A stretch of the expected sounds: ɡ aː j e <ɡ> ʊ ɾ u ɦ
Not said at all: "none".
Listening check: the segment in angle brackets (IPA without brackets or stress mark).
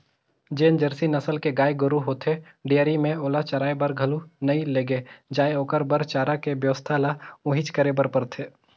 ɡ